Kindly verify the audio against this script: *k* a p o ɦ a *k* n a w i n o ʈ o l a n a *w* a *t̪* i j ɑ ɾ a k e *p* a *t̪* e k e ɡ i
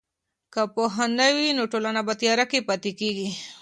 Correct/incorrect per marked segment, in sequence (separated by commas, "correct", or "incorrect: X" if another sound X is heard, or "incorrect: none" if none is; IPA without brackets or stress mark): correct, incorrect: none, incorrect: b, correct, correct, correct